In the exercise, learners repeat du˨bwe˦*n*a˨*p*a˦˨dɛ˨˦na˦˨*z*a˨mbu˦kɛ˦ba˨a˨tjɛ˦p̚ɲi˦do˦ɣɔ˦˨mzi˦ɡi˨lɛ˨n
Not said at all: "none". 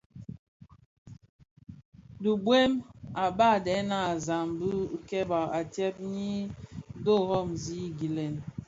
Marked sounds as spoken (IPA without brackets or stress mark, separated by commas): m, b, z